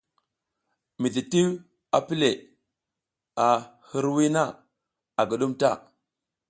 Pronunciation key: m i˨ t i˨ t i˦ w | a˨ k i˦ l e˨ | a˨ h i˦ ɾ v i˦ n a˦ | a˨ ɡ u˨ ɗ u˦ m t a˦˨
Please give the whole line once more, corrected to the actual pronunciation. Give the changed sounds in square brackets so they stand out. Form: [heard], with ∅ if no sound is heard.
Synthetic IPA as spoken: m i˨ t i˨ t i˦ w | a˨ [p] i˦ l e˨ | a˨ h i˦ ɾ [w] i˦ n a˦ | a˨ ɡ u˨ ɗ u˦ m t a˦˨

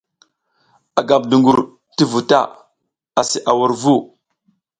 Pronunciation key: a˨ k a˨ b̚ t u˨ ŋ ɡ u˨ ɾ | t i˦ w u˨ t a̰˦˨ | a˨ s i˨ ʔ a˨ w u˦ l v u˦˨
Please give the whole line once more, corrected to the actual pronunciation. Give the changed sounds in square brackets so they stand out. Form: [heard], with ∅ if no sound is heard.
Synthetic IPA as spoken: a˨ [ɡ] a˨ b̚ [d] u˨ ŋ ɡ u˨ ɾ | t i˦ [v] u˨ t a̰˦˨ | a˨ s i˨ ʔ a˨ w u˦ [ɾ] v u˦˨

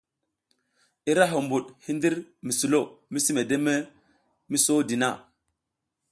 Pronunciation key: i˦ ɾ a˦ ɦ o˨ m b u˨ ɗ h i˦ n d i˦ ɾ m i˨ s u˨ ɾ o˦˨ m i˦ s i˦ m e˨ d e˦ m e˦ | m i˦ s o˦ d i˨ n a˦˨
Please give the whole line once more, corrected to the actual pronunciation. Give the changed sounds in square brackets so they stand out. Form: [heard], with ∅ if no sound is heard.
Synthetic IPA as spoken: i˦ ɾ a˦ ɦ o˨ m b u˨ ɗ h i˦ n d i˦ ɾ m i˨ s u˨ [l] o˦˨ m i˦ s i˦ m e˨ d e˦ m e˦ | m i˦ s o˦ d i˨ n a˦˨

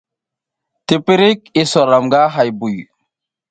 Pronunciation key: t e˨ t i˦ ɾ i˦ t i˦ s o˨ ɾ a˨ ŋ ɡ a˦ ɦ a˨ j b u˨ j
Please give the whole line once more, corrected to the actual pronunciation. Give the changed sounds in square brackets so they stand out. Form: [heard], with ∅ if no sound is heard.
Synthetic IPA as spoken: t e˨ [p] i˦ ɾ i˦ [k] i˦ s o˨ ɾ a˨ [m] ɡ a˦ ɦ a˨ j b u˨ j

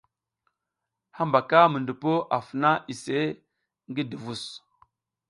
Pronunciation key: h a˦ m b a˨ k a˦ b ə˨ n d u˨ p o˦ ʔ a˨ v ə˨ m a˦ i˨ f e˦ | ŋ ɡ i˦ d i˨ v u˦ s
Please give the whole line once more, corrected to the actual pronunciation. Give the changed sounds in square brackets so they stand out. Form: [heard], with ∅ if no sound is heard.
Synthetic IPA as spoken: h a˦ m b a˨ k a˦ [m] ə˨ n d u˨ p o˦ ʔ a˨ [f] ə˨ [n] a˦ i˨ [s] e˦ | ŋ ɡ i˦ d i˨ v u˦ s

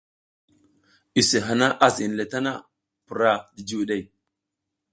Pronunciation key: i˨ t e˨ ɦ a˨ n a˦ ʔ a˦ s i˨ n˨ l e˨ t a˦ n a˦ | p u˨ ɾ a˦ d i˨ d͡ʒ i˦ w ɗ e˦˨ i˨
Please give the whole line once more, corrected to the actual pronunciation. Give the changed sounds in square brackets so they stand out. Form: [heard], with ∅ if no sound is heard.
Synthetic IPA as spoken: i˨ [s] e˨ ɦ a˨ n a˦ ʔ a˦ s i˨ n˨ l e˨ t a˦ n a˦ | p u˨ ɾ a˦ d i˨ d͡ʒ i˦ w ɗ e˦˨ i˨

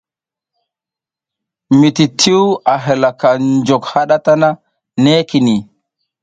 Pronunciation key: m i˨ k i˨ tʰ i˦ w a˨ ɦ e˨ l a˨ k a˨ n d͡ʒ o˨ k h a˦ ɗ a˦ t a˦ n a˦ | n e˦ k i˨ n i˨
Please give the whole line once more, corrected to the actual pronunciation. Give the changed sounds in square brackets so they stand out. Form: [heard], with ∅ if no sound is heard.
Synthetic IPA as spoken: m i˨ [t] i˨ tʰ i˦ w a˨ ɦ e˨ l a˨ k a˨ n d͡ʒ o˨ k h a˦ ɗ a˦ t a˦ n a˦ | n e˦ k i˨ n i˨

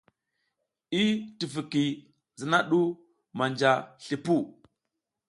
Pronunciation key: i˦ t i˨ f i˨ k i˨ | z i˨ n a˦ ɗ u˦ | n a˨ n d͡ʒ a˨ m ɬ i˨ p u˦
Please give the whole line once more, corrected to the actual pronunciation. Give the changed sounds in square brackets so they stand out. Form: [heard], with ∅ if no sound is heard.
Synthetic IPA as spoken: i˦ t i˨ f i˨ k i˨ | z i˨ n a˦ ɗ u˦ | [m] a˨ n d͡ʒ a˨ [∅] ɬ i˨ p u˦

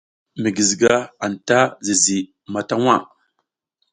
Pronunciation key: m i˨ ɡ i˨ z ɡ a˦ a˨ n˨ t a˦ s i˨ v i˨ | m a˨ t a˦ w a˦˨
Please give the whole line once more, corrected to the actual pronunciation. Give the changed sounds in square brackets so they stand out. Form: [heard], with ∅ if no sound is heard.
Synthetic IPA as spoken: m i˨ ɡ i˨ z ɡ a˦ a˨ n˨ t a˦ [z] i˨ [z] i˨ | m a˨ t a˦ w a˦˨

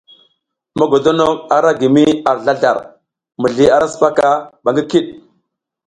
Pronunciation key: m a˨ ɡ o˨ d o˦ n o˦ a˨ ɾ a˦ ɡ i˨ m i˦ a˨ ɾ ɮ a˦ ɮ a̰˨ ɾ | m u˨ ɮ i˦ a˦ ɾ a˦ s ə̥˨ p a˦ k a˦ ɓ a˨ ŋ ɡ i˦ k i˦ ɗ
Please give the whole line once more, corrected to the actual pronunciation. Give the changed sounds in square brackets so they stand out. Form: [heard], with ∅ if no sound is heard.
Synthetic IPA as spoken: m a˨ ɡ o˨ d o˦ n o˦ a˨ ɾ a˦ ɡ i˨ m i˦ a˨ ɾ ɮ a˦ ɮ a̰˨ ɾ | m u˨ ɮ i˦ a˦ ɾ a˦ s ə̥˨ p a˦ k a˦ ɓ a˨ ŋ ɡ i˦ k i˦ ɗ

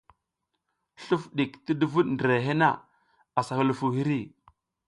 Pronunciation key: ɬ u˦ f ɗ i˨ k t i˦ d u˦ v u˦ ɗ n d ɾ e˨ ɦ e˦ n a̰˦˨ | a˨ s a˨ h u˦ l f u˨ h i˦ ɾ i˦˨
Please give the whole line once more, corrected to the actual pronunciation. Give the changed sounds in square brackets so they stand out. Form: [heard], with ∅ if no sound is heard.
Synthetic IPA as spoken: ɬ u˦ f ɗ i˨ k t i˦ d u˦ v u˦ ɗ n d ɾ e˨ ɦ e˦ n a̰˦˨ | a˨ s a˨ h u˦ l f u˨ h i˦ ɾ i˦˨

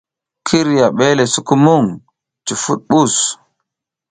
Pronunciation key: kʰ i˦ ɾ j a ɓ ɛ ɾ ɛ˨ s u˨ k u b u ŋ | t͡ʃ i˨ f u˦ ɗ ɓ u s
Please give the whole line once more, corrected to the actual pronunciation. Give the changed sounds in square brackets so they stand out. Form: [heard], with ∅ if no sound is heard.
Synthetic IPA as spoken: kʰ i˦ ɾ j a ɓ ɛ [l] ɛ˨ s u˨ k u [m] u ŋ | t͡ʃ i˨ f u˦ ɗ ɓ u s

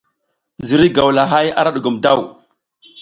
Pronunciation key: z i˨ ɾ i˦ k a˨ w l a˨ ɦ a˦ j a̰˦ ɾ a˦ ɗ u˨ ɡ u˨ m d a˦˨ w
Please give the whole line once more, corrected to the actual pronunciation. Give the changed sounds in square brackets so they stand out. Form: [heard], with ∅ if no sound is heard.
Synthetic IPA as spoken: z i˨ ɾ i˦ [ɡ] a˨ w l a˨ ɦ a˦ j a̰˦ ɾ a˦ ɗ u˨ ɡ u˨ m d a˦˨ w

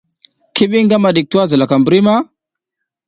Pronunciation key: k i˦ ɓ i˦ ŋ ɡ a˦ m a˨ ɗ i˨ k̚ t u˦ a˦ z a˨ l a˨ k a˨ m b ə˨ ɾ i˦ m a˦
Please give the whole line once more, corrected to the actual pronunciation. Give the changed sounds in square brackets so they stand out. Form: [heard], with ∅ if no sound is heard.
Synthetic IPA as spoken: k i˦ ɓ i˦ ŋ ɡ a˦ m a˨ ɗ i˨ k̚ t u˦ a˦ z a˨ l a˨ k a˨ m b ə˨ ɾ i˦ m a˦

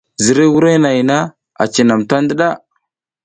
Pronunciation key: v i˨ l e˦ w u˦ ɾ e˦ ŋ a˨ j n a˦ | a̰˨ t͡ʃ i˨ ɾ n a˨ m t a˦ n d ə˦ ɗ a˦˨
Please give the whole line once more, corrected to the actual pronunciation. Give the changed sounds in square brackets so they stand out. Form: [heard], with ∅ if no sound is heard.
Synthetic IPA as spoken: [z] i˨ [ɾ] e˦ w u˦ ɾ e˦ [n] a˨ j n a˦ | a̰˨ t͡ʃ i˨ [∅] n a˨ m t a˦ n d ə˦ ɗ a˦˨

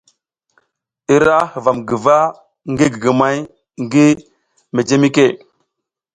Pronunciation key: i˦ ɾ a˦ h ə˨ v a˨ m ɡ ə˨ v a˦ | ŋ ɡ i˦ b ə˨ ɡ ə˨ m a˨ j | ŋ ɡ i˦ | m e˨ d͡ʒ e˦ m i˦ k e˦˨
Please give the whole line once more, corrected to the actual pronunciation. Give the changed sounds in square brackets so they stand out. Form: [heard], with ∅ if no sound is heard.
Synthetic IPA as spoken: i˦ ɾ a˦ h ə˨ v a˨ m ɡ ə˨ v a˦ | ŋ ɡ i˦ [ɡ] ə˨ ɡ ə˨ m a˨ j | ŋ ɡ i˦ | m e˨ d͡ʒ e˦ m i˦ k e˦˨

